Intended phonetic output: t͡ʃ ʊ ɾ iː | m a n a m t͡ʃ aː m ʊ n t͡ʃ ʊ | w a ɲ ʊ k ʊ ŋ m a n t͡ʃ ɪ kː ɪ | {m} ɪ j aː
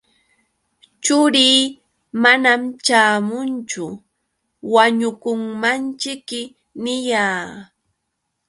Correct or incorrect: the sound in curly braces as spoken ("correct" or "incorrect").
incorrect